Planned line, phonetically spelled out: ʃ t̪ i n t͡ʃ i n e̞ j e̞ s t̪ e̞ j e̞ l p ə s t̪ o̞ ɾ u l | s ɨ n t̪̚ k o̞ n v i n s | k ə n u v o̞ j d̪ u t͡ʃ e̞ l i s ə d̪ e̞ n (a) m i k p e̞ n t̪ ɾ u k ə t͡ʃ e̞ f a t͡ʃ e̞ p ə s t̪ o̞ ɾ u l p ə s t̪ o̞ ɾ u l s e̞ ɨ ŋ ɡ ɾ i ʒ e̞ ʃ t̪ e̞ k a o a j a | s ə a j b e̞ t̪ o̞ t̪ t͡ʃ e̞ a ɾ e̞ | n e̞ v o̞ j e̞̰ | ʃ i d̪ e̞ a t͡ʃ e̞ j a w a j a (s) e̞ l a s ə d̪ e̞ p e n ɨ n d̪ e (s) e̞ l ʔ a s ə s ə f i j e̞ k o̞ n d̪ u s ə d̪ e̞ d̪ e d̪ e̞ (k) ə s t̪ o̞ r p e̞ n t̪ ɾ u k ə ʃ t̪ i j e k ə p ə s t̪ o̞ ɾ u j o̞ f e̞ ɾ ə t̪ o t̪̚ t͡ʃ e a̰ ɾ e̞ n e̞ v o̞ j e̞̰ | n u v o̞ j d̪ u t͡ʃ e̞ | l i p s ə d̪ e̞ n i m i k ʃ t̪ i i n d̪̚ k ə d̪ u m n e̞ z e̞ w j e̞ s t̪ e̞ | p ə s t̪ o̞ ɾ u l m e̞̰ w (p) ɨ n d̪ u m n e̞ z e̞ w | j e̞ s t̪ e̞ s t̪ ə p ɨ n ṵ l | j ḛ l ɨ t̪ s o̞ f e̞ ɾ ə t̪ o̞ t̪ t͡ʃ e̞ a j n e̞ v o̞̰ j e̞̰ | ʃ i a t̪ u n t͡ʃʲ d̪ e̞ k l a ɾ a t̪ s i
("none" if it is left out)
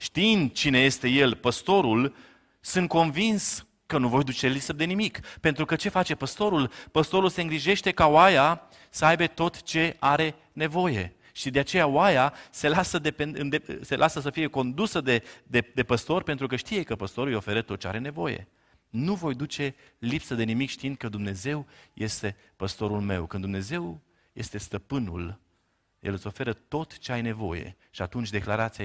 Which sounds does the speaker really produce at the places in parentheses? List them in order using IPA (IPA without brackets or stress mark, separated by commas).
i, s, s, p, k